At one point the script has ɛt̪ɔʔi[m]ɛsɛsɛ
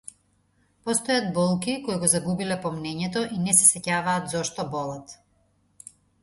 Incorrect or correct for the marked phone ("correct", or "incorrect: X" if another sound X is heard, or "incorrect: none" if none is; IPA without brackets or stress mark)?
incorrect: n